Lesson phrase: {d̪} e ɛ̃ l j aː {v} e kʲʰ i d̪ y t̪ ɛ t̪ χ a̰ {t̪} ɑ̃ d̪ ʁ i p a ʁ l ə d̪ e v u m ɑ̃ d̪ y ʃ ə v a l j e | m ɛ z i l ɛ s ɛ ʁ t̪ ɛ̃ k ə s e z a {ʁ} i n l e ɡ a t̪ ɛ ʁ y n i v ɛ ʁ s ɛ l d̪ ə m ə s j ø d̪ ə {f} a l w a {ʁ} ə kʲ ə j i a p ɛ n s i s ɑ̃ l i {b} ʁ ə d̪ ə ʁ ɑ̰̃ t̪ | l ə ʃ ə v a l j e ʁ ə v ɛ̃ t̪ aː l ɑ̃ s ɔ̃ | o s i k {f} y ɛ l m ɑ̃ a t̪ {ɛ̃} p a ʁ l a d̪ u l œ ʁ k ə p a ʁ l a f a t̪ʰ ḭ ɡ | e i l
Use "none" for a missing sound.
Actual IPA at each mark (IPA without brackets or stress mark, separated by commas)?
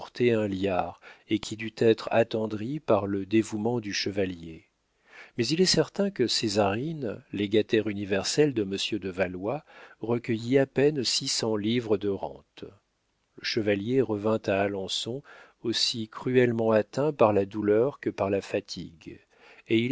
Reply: t̪, ʁ, t̪, ʁ, v, ʁ, v, χ, ɛ̃